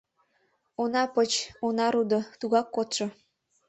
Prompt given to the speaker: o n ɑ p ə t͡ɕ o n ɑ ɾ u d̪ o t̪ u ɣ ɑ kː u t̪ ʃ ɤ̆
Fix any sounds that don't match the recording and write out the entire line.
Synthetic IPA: o n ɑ p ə t͡ɕ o n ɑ ɾ u d̪ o t̪ u ɣ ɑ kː o t̪ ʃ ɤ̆